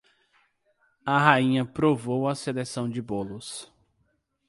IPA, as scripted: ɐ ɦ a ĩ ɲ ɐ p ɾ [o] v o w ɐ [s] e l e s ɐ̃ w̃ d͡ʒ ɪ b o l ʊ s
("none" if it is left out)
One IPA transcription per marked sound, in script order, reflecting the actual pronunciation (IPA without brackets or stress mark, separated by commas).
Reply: o, s